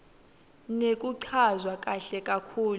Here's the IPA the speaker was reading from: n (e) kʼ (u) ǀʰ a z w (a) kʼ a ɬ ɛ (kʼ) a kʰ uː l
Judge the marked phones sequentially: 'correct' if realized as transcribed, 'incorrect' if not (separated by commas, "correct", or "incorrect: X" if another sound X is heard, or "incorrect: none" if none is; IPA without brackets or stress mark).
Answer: correct, correct, correct, correct